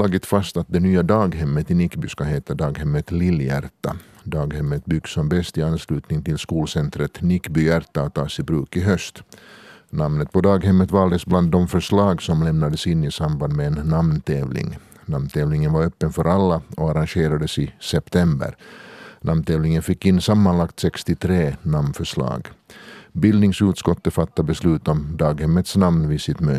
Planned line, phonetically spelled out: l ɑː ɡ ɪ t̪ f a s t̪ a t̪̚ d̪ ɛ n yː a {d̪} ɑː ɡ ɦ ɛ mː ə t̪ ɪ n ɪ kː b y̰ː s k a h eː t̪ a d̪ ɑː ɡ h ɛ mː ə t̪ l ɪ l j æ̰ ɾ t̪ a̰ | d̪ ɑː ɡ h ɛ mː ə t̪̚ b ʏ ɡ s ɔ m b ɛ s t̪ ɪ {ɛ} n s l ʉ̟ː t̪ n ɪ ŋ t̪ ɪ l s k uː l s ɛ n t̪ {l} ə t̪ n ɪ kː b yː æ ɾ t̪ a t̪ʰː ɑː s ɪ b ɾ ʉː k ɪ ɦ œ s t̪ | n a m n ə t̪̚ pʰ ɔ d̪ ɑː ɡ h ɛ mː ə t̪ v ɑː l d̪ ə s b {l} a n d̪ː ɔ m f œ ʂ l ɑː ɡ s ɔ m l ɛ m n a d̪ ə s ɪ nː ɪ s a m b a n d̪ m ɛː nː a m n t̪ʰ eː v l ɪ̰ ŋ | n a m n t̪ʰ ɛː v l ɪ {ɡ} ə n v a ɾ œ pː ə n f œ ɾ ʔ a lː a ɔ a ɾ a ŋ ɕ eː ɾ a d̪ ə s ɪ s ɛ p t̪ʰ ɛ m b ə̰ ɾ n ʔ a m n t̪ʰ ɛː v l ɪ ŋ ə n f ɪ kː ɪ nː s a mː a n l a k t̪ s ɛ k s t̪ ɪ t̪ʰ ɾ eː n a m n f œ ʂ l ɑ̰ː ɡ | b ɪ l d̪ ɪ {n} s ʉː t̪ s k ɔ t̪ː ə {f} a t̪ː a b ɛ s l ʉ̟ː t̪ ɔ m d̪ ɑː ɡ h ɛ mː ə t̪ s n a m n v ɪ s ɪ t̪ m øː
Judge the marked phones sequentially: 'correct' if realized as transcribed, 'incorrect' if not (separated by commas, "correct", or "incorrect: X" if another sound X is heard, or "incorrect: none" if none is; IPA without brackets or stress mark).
correct, incorrect: a, incorrect: ɾ, correct, incorrect: ŋ, incorrect: ŋ, correct